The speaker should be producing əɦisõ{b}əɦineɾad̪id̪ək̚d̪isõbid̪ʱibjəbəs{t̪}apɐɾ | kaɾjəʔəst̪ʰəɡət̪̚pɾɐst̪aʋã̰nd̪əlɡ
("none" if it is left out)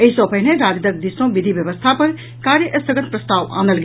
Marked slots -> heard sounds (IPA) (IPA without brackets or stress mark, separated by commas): p, t̪ʰ